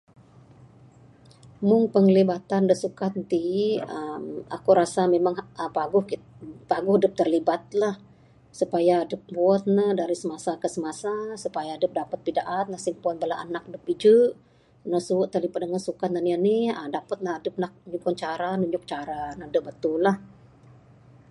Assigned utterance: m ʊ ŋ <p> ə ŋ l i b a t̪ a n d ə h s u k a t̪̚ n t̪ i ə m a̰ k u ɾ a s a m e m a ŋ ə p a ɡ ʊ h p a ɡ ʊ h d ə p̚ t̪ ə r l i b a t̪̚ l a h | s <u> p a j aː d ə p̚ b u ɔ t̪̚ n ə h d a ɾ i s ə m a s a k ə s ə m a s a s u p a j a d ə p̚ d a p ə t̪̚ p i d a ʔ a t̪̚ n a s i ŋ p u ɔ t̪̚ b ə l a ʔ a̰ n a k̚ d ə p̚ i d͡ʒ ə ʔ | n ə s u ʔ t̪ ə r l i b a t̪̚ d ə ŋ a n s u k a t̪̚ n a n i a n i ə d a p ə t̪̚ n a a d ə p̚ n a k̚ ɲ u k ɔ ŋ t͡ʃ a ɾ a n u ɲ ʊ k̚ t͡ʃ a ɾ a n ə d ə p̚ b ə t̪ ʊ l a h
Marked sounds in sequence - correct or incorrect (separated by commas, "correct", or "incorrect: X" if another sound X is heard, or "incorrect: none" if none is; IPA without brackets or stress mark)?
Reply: correct, correct